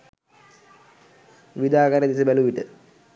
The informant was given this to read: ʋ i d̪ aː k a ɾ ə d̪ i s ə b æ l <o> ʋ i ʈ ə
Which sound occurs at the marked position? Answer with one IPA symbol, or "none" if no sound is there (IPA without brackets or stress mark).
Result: u